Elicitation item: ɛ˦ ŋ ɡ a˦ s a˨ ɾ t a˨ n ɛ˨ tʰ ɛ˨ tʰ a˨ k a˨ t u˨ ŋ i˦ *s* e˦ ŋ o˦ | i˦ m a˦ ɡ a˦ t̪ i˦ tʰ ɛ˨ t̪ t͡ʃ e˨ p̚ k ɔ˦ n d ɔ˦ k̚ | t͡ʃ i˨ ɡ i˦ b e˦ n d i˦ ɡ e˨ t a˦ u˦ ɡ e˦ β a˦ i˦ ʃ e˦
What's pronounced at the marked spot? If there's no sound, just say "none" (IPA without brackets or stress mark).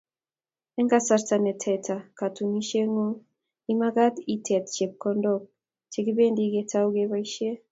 ʃ